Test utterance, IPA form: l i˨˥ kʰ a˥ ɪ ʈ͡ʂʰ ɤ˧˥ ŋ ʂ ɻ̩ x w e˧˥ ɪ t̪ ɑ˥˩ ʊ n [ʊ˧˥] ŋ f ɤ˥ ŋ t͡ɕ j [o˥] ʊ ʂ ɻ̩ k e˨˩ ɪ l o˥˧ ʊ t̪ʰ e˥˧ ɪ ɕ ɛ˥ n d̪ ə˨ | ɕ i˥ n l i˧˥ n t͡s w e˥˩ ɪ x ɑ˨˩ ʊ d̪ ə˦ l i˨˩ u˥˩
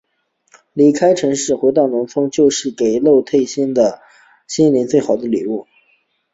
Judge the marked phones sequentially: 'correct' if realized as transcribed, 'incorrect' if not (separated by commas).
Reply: correct, incorrect